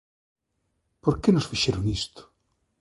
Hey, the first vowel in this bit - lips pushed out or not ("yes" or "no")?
yes